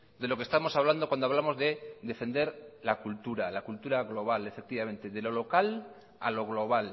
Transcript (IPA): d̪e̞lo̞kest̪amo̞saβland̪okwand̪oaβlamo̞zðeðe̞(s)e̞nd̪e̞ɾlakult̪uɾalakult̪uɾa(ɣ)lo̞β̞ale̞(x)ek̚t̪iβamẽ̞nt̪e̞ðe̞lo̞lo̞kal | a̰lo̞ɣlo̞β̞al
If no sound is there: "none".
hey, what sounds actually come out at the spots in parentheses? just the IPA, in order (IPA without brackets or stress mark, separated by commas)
f, ɣ, f